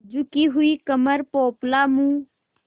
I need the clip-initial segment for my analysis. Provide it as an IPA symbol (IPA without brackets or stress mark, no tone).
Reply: d͡ʒ